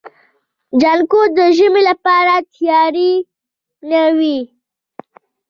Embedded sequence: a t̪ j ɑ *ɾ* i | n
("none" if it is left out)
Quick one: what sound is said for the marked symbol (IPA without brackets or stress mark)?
ɾ